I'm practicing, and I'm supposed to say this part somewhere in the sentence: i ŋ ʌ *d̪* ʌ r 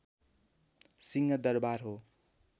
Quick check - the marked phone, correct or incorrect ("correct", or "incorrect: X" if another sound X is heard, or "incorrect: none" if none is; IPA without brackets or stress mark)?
correct